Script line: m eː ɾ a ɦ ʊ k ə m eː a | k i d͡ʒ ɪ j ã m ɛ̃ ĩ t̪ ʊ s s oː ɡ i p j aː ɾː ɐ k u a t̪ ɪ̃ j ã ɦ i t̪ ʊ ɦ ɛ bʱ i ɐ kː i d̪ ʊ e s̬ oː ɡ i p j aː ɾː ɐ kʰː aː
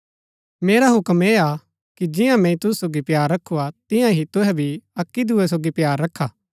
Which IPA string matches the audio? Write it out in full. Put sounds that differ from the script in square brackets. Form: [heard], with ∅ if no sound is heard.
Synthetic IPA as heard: m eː ɾ a ɦ ʊ k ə m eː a | k i d͡ʒ ɪ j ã m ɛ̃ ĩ t̪ ʊ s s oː ɡ i p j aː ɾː ɐ [kʰ] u a t̪ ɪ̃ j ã ɦ i t̪ ʊ ɦ ɛ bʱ i ɐ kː i d̪ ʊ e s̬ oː ɡ i p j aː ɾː ɐ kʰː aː